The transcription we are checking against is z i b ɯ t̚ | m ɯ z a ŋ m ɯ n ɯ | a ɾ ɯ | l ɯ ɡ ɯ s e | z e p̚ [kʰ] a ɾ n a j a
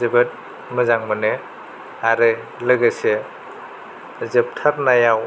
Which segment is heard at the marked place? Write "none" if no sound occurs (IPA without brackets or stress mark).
tʰ